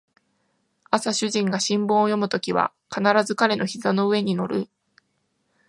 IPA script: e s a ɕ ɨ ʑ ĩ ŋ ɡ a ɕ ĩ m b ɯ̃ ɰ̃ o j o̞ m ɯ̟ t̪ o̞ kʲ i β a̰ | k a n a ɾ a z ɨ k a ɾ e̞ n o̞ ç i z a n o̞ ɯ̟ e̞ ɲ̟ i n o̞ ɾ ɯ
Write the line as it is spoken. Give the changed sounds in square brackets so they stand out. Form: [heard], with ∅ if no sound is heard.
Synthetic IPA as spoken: [a] s a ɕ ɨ ʑ ĩ ŋ ɡ a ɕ ĩ m b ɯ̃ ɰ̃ o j o̞ m ɯ̟ t̪ o̞ kʲ i β a̰ | k a n a ɾ a z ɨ k a ɾ e̞ n o̞ ç i z a n o̞ ɯ̟ e̞ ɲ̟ i n o̞ ɾ ɯ